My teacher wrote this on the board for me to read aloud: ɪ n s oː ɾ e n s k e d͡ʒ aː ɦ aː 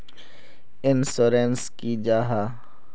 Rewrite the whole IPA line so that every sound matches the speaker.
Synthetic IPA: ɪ n s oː ɾ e n s k i d͡ʒ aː ɦ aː